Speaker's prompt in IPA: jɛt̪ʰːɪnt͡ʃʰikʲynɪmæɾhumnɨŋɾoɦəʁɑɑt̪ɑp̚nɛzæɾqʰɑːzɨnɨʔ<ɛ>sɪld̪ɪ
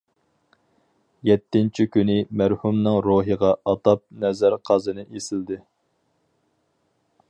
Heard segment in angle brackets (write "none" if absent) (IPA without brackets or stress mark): e